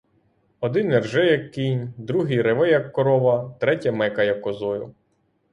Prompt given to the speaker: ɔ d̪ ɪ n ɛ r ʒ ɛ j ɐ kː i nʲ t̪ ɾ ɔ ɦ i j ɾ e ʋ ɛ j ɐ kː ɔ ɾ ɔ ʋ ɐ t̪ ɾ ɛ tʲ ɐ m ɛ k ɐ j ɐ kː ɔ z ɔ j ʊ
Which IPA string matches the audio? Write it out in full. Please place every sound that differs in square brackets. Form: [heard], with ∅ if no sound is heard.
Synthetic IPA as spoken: ɔ d̪ ɪ n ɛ r ʒ ɛ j ɐ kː i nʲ [d̪] ɾ [u] ɦ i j ɾ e ʋ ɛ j ɐ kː ɔ ɾ ɔ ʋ ɐ t̪ ɾ ɛ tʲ ɐ m ɛ k ɐ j ɐ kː ɔ z ɔ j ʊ